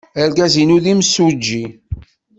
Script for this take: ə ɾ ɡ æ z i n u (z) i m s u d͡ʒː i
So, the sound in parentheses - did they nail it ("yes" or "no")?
no